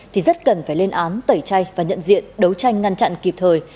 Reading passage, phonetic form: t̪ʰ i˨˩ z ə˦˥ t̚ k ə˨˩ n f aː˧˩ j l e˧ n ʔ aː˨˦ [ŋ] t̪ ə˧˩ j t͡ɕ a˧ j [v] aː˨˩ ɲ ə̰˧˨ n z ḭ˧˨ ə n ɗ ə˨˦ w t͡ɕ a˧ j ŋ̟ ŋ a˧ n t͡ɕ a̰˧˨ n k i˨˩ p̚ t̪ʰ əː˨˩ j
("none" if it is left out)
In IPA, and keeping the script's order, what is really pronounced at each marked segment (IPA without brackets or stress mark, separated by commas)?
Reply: n, v